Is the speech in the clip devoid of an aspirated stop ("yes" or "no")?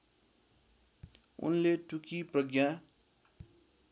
yes